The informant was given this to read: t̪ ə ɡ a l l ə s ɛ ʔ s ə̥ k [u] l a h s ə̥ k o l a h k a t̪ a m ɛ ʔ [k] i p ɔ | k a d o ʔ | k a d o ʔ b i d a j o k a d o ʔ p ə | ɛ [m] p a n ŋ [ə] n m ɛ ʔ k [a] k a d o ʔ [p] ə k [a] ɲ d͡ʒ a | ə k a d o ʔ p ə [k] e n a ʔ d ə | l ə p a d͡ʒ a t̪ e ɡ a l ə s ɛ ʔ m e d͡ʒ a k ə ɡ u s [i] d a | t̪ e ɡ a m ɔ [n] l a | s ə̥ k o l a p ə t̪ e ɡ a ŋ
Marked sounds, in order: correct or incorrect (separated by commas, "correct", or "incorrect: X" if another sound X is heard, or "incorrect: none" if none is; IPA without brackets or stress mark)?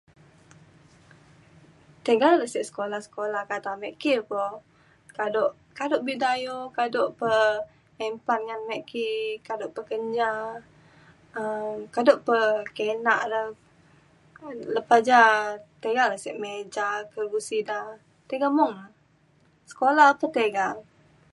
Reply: incorrect: o, correct, correct, incorrect: a, incorrect: i, correct, incorrect: ə, correct, correct, incorrect: ŋ